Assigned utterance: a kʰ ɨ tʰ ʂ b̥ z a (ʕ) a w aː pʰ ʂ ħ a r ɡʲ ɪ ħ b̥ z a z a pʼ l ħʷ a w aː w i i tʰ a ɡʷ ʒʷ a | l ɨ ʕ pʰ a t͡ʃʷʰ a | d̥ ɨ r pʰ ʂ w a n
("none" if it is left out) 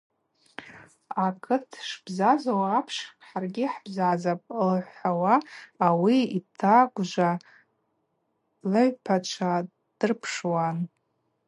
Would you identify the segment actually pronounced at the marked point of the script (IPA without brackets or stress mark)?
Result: z